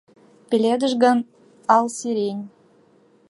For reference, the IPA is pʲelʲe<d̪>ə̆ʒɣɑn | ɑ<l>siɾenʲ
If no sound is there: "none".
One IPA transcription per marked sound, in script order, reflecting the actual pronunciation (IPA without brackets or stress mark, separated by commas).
d̪, l